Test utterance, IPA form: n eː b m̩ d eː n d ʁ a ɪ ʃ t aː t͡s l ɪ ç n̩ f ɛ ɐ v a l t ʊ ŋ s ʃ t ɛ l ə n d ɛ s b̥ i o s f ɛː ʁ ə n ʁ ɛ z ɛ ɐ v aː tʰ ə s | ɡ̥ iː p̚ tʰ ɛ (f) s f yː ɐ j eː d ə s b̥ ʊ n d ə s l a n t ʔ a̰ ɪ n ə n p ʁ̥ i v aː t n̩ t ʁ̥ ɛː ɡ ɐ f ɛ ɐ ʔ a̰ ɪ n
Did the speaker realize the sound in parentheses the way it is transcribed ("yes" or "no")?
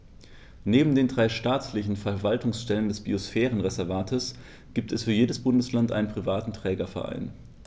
no